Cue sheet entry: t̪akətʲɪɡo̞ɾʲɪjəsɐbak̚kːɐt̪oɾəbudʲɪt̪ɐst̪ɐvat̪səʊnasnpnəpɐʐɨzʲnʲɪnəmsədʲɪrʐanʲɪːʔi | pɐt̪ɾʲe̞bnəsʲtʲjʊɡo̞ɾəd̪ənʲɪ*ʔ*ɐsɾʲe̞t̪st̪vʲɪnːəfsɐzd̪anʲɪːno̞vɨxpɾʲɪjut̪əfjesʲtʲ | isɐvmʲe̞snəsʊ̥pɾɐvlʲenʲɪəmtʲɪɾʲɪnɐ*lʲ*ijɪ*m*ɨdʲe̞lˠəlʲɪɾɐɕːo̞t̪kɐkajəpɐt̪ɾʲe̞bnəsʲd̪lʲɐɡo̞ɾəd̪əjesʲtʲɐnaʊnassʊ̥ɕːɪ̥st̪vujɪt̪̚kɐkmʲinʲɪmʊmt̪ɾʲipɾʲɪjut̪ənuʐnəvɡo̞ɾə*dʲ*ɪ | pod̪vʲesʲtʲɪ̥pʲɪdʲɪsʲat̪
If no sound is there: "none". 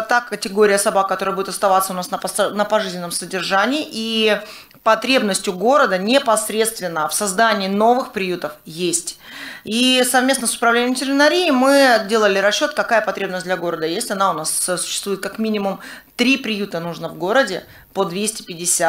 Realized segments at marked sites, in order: p, ɾʲ, m, dʲ

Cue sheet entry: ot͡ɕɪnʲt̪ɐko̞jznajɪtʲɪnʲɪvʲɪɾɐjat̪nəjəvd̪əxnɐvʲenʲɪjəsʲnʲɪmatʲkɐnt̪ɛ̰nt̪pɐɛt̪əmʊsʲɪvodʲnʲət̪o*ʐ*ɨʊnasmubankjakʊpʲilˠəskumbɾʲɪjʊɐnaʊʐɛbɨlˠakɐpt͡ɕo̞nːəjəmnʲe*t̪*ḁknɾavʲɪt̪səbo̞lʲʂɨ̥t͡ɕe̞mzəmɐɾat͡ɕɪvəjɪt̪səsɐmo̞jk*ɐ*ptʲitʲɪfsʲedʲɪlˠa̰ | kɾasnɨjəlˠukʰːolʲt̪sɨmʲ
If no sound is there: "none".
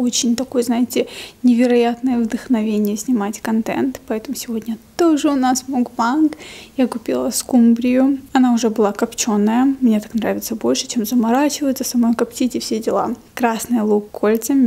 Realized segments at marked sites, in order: ʐ, t̪, ɐ

